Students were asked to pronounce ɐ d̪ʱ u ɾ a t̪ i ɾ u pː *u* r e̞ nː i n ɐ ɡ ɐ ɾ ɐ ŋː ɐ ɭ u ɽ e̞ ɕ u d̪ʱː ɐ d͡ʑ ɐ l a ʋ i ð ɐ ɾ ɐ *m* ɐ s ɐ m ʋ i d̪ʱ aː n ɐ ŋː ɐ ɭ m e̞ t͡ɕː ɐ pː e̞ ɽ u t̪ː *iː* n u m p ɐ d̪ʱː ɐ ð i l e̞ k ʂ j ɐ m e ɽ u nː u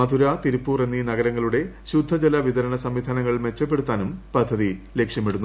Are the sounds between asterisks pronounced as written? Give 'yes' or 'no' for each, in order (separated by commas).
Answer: no, no, no